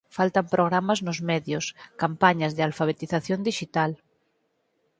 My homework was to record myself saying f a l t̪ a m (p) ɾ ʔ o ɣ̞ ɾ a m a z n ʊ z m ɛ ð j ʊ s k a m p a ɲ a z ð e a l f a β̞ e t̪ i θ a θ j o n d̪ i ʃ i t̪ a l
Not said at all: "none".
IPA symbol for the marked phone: p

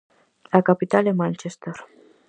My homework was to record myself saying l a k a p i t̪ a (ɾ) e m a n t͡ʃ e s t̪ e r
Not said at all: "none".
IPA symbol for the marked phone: l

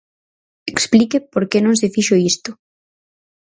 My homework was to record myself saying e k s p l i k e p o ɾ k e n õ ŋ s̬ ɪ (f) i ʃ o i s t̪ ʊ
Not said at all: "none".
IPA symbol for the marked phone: f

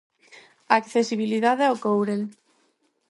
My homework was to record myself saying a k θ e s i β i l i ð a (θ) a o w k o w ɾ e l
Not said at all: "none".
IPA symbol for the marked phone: ð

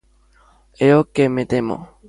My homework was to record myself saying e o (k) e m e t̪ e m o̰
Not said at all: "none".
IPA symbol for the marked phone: k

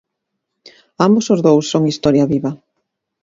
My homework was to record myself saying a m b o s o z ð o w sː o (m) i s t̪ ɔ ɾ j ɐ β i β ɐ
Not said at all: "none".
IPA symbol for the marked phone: ŋ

